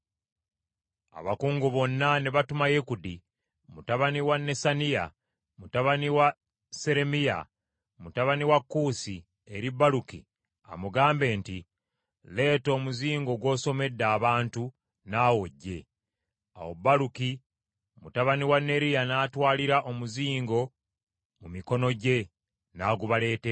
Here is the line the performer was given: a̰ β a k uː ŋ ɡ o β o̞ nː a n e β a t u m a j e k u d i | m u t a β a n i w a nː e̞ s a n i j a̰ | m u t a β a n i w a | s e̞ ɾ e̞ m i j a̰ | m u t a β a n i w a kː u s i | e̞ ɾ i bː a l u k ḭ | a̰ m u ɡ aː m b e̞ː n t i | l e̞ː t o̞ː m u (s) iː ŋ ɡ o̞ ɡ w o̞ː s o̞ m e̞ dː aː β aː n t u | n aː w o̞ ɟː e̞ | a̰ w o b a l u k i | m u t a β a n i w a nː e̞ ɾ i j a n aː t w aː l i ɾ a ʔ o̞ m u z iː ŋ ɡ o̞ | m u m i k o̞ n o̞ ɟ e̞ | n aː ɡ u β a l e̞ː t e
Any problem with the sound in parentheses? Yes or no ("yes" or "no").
yes